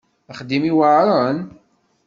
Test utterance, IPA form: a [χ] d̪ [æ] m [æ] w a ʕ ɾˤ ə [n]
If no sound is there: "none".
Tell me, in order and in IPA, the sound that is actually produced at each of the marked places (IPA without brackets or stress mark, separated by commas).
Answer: χ, i, i, n